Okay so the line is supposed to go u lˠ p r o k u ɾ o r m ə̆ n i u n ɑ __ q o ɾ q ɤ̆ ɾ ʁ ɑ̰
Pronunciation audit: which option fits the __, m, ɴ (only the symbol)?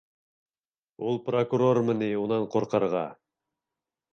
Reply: ɴ